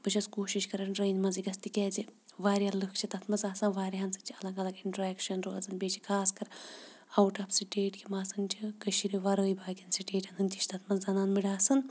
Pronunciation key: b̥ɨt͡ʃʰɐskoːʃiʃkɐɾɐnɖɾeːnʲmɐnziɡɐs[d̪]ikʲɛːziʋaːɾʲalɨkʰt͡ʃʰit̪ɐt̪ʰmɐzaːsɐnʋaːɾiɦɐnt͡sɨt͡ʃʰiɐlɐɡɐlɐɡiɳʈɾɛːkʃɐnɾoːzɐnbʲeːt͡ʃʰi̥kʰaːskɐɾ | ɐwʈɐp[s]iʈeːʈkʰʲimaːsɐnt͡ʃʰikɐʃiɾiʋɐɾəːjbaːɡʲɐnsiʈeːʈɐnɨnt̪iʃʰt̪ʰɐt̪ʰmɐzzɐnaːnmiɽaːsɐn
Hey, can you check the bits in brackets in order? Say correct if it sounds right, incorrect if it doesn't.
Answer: incorrect: t̪, correct

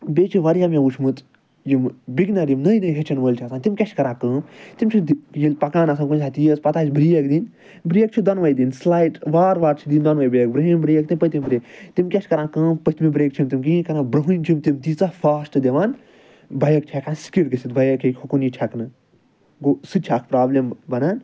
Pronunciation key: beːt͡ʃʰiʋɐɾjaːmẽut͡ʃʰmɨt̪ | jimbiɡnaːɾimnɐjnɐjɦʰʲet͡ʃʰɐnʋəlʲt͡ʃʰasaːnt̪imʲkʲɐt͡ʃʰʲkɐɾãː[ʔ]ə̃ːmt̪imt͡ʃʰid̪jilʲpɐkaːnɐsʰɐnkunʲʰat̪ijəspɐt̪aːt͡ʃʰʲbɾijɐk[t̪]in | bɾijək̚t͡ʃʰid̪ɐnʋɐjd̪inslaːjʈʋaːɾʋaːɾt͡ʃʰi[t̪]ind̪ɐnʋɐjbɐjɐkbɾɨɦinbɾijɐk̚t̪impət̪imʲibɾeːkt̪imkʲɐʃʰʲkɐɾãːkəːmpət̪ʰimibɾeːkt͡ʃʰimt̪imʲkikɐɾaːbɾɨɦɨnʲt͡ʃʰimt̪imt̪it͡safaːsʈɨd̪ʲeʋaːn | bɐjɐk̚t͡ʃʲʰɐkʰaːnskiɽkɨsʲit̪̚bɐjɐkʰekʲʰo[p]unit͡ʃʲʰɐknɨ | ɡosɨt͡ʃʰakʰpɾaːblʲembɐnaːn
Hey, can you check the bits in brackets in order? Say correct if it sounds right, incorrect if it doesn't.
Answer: incorrect: k, incorrect: d̪, incorrect: d̪, incorrect: k

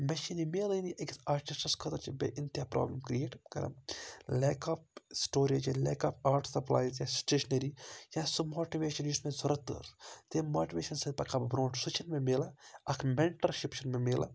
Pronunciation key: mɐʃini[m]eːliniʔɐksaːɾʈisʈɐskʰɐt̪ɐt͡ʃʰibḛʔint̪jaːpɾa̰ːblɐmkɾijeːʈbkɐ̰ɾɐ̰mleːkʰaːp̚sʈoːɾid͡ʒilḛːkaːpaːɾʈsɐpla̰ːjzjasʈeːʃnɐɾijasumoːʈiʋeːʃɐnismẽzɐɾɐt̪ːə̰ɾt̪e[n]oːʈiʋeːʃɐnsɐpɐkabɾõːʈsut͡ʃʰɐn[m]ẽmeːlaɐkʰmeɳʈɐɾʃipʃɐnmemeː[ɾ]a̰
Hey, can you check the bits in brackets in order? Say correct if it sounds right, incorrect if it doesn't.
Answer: correct, incorrect: m, correct, incorrect: l

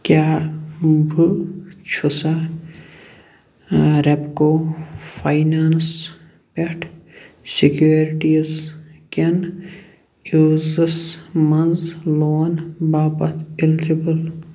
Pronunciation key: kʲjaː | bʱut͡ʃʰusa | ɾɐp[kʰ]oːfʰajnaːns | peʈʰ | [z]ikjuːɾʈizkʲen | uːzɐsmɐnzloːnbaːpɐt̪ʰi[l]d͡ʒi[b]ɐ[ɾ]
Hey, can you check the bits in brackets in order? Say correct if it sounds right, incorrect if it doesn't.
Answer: incorrect: k, incorrect: s, correct, correct, incorrect: l

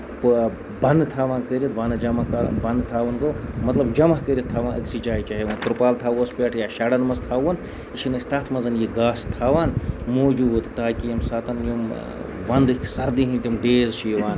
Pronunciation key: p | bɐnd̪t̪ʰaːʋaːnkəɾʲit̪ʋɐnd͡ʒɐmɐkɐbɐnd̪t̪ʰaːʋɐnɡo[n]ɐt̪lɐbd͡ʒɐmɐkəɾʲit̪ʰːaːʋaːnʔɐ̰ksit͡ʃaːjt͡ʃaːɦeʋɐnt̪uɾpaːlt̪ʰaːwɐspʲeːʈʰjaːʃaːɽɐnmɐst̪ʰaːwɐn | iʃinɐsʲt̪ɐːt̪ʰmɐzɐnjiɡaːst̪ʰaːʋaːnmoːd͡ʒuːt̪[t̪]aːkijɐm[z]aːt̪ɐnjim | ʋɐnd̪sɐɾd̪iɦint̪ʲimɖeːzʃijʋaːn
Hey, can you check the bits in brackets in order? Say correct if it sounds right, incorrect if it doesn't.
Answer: incorrect: m, correct, incorrect: s

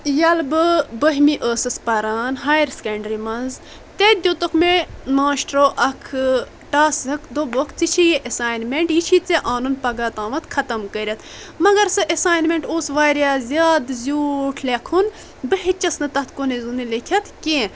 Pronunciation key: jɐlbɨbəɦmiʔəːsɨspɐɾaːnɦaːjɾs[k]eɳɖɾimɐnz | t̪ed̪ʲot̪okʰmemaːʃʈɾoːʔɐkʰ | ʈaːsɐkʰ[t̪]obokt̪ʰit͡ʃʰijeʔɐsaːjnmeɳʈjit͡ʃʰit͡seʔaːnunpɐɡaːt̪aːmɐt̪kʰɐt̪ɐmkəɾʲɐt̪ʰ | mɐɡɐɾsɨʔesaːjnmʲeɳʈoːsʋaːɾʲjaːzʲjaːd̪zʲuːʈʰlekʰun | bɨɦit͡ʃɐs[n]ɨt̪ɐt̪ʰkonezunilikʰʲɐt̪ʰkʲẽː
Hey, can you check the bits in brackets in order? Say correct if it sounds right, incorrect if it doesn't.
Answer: correct, incorrect: d̪, correct

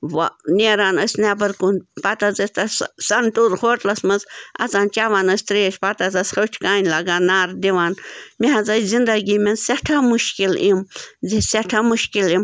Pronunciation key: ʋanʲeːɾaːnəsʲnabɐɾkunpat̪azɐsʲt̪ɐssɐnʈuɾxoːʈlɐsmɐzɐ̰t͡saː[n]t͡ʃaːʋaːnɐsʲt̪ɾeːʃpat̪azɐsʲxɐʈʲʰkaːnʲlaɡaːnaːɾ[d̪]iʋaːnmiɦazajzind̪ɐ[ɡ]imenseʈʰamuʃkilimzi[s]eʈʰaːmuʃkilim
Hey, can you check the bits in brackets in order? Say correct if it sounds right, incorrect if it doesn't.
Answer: correct, correct, correct, correct

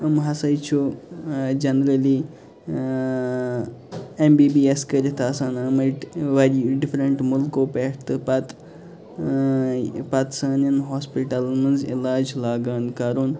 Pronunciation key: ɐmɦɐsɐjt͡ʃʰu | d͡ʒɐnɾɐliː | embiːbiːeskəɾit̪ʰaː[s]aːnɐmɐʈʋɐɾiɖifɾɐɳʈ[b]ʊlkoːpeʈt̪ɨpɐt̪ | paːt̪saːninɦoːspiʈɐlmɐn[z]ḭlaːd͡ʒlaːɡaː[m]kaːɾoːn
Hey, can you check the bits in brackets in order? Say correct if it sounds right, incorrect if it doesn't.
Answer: correct, incorrect: m, correct, incorrect: n

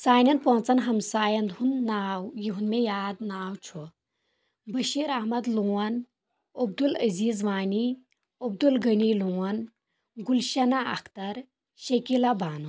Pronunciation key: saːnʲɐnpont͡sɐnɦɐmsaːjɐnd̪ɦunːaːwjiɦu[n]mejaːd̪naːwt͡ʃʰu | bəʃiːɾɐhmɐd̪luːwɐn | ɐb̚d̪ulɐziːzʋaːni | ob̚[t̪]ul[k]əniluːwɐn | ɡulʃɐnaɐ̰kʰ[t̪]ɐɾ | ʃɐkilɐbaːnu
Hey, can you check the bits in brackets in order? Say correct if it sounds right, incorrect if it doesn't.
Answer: correct, incorrect: d̪, incorrect: ɡ, correct

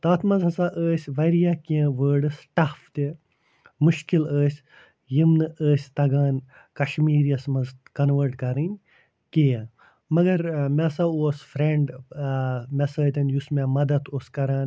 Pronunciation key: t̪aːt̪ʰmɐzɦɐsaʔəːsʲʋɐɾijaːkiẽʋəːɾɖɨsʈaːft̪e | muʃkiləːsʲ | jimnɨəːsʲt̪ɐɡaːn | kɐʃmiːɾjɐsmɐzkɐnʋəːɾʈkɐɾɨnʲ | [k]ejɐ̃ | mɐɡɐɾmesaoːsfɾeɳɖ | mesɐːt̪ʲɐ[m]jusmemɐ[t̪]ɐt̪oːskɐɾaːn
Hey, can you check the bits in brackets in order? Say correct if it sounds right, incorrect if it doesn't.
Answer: correct, incorrect: n, incorrect: d̪

